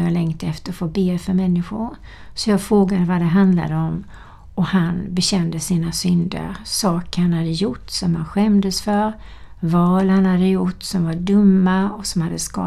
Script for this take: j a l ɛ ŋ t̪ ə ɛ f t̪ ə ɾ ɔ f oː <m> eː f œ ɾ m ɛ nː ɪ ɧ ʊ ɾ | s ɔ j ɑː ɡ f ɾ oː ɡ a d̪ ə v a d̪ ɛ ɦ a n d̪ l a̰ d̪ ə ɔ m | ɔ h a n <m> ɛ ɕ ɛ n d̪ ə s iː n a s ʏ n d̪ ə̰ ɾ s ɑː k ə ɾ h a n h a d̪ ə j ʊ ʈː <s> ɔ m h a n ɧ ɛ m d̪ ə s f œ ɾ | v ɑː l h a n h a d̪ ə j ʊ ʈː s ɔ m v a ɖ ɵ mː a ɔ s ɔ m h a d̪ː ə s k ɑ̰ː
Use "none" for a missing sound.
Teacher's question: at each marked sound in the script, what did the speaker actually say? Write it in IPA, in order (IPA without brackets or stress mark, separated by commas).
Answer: b, b, s